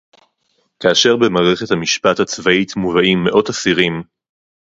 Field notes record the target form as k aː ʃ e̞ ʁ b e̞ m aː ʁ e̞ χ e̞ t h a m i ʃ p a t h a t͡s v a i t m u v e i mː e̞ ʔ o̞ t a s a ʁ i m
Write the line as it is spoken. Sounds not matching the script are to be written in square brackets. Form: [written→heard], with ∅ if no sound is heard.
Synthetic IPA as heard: k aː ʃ e̞ ʁ b e̞ m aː ʁ e̞ χ e̞ t h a m i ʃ p a t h a t͡s v a i t m u v [e→a] i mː e̞ ʔ o̞ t a s [a→i] ʁ i m

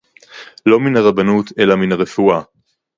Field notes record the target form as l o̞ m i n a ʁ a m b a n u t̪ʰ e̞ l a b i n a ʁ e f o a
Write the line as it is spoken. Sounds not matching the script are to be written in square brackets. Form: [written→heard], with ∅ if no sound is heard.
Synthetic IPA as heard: l o̞ m i n a ʁ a [m→∅] b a n u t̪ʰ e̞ l a [b→m] i n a ʁ e f [o→u] a

